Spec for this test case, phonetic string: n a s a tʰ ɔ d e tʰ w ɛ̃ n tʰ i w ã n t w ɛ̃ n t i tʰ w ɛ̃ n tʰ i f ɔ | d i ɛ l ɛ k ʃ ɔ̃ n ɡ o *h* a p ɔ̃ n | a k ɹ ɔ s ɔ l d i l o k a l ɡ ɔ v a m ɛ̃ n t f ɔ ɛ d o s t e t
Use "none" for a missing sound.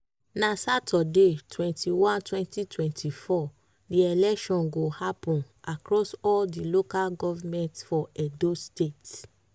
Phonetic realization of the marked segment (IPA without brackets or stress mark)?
h